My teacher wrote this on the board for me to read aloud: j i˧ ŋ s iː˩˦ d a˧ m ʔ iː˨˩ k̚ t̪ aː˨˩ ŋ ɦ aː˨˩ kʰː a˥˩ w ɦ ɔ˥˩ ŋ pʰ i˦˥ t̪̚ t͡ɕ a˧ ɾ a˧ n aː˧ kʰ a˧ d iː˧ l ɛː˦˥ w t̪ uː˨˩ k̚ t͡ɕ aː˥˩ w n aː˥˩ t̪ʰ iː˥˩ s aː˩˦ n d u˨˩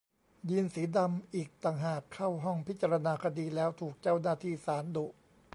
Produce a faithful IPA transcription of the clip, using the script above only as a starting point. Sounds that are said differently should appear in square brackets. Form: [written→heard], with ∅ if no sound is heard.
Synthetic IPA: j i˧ [ŋ→n] s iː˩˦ d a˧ m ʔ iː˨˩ k̚ t̪ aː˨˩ ŋ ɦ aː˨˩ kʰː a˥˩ w ɦ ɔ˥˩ ŋ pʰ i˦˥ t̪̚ t͡ɕ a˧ ɾ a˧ n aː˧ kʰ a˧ d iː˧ l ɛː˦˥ w [t̪→t̪ʰ] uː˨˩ k̚ t͡ɕ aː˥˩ w n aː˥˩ t̪ʰ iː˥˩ s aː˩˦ n d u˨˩